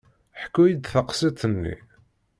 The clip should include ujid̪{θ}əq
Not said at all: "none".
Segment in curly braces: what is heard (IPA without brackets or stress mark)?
θ